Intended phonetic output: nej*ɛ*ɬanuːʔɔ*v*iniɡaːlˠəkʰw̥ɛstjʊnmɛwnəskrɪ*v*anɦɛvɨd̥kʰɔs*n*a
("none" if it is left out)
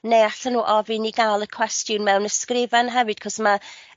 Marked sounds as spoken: a, v, v, m

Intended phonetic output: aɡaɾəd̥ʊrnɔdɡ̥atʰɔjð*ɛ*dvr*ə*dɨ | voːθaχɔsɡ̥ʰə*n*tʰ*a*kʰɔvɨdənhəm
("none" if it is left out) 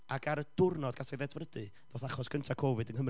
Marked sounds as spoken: ɛ, ə, n, a

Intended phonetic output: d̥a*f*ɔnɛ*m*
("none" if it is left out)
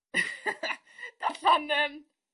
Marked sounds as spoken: f, m

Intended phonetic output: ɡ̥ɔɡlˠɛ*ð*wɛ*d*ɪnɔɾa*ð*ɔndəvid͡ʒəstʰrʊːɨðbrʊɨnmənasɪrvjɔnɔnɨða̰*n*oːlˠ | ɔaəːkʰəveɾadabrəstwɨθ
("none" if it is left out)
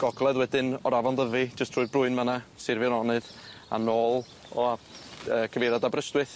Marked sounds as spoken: ð, d, v, n

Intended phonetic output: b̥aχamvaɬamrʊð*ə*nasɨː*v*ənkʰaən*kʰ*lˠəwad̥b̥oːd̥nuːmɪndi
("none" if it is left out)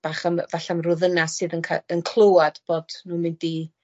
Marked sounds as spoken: ə, ð, kʰ

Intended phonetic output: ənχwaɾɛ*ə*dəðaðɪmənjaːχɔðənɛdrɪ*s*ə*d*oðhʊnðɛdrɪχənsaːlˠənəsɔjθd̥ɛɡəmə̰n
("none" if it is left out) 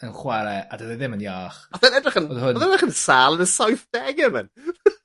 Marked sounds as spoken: a, χ, n

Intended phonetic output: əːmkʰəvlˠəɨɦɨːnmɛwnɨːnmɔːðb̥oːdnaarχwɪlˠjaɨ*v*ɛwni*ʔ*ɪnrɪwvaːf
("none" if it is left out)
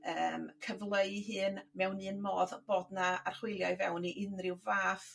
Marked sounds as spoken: v, ʔ

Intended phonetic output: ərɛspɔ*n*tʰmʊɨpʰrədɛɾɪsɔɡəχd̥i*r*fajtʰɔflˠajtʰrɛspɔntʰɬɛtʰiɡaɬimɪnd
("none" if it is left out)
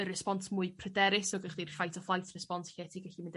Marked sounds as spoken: n, r

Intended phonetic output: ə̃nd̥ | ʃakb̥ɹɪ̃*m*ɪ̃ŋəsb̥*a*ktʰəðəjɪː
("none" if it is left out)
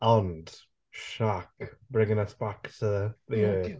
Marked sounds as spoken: ŋ, a

